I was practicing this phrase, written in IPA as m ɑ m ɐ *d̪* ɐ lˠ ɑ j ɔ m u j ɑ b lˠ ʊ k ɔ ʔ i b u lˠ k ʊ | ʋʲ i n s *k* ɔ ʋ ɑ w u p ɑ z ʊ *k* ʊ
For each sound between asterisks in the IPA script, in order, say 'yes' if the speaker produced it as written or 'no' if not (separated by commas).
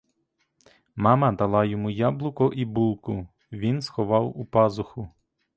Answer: yes, no, no